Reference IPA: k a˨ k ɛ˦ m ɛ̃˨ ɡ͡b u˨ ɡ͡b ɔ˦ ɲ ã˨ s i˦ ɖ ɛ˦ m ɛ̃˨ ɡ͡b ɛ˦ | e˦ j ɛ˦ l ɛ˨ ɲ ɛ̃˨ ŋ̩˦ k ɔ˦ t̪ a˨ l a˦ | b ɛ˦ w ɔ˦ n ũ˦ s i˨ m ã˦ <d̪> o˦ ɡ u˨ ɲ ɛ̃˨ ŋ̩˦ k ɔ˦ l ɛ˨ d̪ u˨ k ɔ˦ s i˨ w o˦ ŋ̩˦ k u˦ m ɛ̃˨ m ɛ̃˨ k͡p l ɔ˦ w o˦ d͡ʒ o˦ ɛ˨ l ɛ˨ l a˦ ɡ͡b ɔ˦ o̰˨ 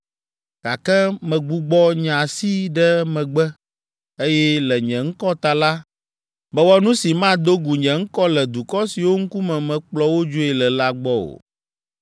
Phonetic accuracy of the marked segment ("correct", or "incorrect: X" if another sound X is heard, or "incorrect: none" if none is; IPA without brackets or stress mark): correct